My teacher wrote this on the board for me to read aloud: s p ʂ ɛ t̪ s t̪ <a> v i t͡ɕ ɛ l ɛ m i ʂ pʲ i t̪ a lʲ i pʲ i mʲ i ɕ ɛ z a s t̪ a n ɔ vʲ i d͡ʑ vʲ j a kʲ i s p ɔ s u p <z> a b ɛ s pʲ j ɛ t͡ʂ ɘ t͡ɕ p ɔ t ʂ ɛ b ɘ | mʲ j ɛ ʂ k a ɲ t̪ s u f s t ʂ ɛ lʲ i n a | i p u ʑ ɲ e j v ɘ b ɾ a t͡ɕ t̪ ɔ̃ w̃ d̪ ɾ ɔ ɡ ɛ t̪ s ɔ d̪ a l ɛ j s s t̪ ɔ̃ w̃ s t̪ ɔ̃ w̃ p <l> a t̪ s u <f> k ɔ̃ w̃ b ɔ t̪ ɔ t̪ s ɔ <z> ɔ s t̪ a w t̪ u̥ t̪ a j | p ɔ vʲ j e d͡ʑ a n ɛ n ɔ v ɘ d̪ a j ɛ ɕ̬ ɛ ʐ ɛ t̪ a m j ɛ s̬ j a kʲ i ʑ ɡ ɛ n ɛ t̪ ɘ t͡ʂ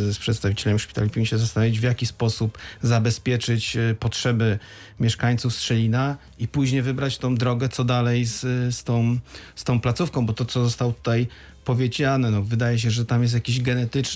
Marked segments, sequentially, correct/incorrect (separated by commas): correct, correct, correct, correct, correct